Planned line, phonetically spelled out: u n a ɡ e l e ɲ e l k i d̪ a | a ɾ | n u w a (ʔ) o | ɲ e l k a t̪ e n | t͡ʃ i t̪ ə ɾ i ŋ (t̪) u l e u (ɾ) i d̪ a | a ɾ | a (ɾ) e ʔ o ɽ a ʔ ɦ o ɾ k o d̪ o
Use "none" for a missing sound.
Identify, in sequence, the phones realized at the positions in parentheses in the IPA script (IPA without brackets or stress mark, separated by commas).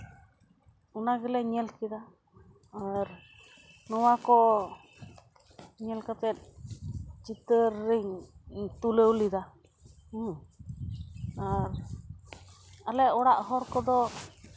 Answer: k, t̪, l, l